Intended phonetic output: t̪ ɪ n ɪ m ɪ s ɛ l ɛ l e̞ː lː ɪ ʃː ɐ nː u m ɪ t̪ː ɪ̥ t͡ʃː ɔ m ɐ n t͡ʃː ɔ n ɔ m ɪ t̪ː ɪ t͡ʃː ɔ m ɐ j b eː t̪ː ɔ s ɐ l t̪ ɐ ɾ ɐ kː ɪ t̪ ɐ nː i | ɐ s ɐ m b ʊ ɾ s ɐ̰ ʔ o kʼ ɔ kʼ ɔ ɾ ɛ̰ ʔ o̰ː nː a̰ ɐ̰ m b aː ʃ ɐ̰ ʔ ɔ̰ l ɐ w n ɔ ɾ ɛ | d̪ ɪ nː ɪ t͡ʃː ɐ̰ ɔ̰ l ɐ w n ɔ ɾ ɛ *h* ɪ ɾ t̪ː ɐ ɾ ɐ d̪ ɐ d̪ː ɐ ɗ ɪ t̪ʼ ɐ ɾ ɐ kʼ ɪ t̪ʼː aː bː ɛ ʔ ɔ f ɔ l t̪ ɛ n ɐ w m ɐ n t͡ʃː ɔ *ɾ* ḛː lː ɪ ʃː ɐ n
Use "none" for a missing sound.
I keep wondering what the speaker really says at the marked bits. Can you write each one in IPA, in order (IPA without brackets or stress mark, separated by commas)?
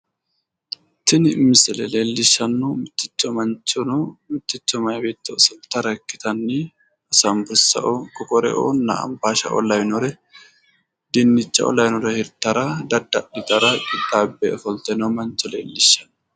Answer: h, l